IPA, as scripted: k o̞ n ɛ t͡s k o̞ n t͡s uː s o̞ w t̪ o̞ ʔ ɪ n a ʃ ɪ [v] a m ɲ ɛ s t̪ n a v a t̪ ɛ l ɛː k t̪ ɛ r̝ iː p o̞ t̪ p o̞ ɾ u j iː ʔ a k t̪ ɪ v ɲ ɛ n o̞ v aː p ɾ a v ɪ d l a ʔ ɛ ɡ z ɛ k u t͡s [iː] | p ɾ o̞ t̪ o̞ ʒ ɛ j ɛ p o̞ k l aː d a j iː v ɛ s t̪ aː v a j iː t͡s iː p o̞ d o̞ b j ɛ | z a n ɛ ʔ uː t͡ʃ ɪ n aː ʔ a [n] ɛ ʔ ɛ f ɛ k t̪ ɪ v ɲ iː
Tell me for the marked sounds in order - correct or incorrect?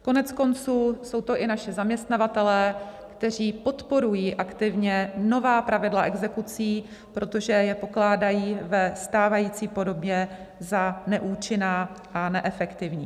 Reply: incorrect, correct, correct

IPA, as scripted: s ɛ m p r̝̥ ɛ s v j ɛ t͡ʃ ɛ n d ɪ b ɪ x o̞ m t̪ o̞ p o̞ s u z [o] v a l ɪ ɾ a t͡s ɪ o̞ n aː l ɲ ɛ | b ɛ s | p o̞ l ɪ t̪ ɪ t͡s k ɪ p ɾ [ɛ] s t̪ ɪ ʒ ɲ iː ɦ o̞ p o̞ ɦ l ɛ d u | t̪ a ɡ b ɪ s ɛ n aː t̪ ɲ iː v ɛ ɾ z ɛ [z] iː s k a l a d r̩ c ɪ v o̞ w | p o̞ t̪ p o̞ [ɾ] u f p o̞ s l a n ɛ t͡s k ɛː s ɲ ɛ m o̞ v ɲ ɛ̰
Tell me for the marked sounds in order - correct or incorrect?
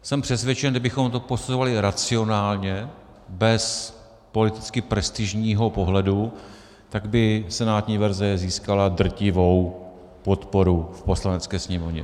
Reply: correct, correct, correct, correct

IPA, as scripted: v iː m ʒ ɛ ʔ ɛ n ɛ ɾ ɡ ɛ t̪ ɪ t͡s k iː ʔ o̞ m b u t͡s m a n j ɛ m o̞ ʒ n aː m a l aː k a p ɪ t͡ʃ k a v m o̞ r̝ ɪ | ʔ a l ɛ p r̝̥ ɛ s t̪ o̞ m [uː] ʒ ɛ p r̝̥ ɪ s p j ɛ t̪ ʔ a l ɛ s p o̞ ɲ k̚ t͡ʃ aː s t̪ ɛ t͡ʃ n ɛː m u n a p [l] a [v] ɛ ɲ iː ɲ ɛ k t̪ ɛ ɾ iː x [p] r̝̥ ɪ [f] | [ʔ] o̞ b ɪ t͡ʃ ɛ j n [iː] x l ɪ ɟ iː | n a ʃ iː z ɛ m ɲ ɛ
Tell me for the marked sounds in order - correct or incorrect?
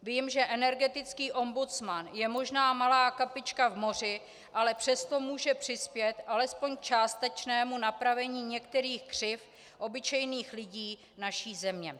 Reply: correct, incorrect, correct, incorrect, correct, correct, correct

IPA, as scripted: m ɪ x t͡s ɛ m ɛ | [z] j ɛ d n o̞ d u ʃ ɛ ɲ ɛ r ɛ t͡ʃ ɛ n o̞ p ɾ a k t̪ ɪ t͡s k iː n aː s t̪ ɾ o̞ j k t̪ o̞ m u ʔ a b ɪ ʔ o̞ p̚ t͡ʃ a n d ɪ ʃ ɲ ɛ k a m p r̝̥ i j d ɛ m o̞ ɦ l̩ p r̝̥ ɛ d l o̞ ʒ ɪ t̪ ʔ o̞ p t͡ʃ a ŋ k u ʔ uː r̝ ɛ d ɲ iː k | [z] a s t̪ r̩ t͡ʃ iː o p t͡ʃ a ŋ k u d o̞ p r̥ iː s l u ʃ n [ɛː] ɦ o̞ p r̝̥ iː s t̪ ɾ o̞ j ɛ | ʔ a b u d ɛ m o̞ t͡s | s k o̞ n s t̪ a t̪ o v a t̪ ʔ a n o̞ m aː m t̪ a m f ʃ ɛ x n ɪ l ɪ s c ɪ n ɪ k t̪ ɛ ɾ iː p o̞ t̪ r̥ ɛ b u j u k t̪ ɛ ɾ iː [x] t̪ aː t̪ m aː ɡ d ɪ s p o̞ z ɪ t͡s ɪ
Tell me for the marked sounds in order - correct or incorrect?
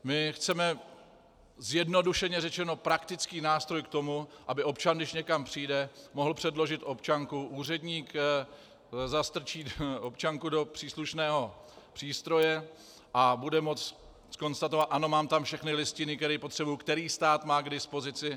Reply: correct, correct, correct, incorrect

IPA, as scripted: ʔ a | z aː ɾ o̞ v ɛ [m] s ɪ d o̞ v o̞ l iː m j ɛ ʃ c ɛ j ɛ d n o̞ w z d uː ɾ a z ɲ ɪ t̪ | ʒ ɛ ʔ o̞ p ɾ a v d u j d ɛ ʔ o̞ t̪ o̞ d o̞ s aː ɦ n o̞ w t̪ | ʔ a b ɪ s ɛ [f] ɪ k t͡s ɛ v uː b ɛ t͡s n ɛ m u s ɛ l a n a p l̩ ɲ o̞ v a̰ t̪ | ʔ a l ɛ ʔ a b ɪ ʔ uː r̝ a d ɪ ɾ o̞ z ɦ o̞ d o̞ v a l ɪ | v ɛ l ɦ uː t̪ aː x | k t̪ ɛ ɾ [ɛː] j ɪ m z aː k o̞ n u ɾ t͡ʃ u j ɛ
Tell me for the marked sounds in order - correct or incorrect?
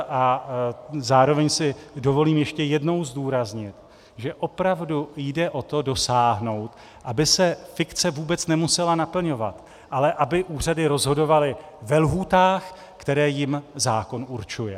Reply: incorrect, correct, correct

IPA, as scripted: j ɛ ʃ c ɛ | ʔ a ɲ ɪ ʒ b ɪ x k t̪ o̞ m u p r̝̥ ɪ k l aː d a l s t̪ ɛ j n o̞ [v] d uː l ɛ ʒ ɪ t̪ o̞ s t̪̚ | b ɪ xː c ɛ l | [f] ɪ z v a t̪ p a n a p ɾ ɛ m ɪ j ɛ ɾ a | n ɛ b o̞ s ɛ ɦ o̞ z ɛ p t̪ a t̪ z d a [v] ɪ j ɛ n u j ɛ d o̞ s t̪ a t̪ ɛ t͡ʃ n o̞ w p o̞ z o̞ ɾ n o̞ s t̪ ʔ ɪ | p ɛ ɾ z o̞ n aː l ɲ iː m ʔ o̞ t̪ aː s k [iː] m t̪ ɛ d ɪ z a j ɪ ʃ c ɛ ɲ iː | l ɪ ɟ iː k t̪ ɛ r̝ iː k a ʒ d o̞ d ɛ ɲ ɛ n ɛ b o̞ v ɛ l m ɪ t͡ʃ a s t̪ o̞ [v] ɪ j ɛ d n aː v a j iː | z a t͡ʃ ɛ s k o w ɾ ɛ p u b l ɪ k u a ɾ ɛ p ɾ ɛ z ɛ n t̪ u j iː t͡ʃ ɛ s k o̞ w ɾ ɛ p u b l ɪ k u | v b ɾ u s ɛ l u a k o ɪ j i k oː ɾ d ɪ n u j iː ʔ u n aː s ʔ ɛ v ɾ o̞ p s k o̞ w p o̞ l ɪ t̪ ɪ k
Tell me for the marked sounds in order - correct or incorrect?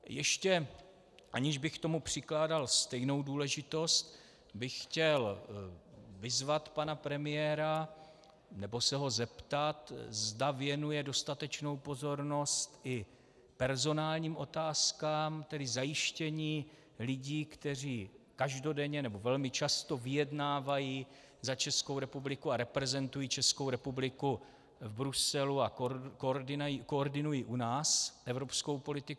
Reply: incorrect, incorrect, correct, incorrect, correct

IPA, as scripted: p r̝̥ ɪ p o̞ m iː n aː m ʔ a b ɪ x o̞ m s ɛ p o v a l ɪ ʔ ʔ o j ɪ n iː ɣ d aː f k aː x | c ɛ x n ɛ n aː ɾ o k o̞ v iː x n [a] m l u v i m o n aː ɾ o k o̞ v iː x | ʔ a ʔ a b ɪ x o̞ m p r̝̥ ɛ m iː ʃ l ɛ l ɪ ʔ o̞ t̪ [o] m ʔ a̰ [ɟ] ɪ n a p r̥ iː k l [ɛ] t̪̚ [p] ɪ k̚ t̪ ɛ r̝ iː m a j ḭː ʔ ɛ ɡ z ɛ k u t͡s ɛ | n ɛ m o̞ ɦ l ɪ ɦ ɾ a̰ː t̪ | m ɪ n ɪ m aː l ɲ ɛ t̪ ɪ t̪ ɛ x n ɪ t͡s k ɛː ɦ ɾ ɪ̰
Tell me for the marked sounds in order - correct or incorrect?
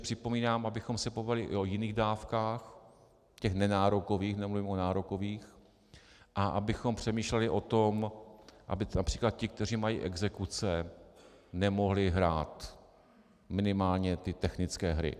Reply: incorrect, correct, incorrect, incorrect, incorrect

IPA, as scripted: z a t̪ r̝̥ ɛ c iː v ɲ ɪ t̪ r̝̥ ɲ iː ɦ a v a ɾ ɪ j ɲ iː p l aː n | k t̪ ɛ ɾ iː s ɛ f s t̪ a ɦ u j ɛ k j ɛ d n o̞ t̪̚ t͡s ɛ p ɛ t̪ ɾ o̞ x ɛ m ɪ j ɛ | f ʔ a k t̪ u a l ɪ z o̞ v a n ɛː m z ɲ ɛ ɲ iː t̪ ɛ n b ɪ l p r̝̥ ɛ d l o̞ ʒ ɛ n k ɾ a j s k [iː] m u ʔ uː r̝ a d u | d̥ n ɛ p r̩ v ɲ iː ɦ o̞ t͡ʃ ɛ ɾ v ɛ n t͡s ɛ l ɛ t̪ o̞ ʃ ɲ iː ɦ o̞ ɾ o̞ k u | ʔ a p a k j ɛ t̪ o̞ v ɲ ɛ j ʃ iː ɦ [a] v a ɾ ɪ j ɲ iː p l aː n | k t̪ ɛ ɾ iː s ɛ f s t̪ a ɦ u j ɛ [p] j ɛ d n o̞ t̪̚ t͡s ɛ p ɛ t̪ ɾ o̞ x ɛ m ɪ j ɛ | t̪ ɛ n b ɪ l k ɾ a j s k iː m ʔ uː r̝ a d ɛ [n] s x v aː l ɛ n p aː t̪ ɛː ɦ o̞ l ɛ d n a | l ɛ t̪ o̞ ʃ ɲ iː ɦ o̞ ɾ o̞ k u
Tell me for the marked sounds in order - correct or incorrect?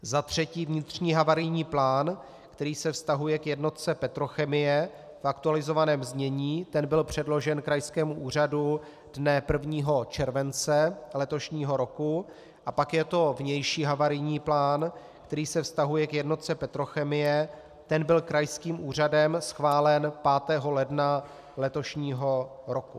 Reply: incorrect, correct, incorrect, incorrect

